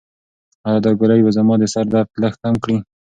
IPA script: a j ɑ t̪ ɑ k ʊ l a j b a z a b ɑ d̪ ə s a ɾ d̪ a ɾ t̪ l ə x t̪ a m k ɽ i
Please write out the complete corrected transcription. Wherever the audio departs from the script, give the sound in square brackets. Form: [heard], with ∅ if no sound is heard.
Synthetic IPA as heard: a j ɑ [d̪] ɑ [ɡ] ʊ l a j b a z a [m] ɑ d̪ ə s a ɾ d̪ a ɾ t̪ l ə x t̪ a m k ɽ i